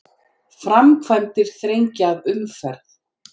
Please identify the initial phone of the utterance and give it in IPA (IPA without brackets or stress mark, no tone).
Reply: f